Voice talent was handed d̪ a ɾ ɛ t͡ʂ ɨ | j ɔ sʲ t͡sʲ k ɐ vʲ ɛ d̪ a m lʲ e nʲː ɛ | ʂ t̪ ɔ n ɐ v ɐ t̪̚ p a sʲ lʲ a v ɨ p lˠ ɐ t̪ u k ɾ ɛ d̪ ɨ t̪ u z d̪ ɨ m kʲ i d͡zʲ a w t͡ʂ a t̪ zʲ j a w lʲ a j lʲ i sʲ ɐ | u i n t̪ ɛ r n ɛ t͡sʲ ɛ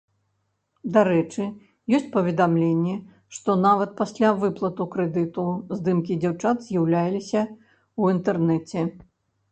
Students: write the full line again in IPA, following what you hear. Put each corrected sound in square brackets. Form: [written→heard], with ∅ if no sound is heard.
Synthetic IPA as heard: d̪ a ɾ ɛ t͡ʂ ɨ | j ɔ sʲ t͡sʲ [k→p] ɐ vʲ ɛ d̪ a m lʲ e nʲː ɛ | ʂ t̪ ɔ n [ɐ→a] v ɐ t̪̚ p a sʲ lʲ a v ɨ p lˠ ɐ t̪ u k ɾ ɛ d̪ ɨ t̪ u z d̪ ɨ m kʲ i d͡zʲ a w t͡ʂ a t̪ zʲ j a w lʲ a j lʲ i sʲ ɐ | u i n t̪ ɛ r n ɛ t͡sʲ ɛ